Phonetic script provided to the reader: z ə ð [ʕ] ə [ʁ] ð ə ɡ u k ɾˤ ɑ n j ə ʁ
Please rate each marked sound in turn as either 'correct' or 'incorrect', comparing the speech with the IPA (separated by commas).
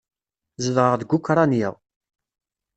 incorrect, correct